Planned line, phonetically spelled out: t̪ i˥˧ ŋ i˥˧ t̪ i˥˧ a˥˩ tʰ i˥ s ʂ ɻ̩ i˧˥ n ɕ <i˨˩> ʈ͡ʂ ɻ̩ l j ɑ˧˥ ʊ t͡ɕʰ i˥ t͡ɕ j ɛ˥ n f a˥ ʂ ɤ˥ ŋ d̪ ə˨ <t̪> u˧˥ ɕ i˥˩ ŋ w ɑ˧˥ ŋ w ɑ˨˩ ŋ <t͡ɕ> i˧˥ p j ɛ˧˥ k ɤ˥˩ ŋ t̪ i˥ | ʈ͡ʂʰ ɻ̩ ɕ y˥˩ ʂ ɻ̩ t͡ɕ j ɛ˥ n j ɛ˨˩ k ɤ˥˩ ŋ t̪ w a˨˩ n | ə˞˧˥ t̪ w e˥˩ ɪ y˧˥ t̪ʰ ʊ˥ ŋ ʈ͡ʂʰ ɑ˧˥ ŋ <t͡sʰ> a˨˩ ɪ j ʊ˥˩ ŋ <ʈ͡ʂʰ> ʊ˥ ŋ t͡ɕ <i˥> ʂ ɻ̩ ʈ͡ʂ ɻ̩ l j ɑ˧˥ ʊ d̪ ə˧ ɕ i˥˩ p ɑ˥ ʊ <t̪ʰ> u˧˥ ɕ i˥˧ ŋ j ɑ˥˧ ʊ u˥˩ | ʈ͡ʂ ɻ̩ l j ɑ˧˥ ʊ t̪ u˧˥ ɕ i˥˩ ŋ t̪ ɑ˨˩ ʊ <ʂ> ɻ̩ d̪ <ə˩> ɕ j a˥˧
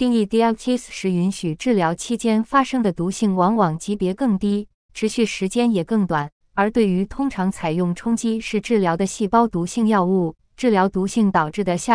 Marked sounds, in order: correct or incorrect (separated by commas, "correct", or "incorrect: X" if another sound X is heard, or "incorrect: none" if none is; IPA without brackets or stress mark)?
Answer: incorrect: y˨˩, correct, correct, correct, correct, correct, incorrect: t̪, incorrect: ʈ͡ʂ, correct